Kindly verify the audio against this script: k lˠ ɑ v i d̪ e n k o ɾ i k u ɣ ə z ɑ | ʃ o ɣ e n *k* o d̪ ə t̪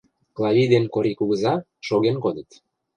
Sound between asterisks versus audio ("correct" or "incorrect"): correct